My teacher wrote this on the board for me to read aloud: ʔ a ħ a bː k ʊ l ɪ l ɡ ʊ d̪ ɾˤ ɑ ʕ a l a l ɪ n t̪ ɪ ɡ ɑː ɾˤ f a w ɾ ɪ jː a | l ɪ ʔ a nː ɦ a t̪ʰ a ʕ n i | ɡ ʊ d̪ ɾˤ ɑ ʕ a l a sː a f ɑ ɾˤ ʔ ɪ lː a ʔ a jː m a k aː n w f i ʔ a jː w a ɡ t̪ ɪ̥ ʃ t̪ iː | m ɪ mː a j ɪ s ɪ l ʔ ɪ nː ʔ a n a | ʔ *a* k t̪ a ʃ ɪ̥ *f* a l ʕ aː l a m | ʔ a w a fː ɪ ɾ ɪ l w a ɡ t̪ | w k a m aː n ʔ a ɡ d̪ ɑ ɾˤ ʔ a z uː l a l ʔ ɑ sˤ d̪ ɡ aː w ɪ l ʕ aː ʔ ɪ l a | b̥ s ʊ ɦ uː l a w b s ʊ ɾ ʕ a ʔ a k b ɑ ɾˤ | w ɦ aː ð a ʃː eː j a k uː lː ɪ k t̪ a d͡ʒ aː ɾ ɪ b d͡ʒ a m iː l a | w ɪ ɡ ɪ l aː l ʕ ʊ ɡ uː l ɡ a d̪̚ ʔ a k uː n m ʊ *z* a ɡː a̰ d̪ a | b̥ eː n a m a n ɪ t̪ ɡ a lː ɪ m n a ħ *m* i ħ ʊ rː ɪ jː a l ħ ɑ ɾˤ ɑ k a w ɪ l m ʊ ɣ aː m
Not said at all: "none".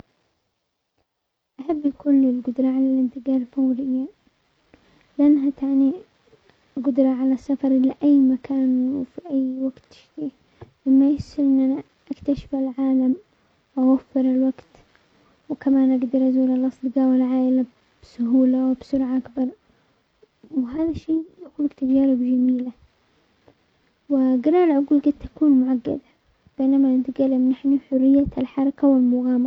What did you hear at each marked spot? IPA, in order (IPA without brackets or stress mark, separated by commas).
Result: a, f, ʕ, n